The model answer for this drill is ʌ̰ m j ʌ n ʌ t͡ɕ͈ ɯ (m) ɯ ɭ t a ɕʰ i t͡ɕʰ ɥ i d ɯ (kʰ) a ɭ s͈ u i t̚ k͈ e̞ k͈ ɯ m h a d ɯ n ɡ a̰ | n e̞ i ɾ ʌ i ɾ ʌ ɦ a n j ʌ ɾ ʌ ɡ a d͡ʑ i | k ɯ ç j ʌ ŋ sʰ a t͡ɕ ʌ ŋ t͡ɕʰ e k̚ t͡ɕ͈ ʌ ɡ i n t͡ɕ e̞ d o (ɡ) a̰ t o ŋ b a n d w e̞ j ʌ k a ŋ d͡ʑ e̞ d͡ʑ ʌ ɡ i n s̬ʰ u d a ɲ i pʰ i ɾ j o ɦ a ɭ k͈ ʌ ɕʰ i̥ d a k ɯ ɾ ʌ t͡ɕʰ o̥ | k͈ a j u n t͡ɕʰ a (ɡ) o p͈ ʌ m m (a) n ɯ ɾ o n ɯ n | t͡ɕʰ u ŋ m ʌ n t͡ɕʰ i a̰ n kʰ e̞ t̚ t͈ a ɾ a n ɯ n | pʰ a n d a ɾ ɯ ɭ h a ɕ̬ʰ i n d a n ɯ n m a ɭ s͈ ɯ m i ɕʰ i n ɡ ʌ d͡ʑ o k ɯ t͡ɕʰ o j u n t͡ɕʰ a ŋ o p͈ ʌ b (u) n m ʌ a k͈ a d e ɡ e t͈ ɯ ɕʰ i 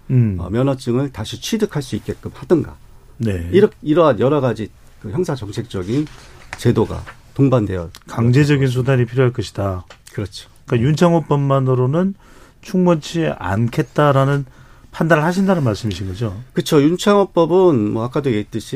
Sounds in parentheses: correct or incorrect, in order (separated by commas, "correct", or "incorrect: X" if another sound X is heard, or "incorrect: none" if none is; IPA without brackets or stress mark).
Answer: incorrect: ŋ, correct, correct, incorrect: ŋ, correct, incorrect: ɯ